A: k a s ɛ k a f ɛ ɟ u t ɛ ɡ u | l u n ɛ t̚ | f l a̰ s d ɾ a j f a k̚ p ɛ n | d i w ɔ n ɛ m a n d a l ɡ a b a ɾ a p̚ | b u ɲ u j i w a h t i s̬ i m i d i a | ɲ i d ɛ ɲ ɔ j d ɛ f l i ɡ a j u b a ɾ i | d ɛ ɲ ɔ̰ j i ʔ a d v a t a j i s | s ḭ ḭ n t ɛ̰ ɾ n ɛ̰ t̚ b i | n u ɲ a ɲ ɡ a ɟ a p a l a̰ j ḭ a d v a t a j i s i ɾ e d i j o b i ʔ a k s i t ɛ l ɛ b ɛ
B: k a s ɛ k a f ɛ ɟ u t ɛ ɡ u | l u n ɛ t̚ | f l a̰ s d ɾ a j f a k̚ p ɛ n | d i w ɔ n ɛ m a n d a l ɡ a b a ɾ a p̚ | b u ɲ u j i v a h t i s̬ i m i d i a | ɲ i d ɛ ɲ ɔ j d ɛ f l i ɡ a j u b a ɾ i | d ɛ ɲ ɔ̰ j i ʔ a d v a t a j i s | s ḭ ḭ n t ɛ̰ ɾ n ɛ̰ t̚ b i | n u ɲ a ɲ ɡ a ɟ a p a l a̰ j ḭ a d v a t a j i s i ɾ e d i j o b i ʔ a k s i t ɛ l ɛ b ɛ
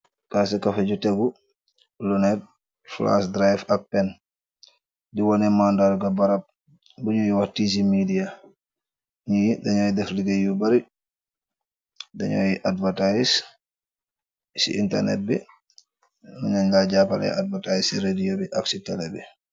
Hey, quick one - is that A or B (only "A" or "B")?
A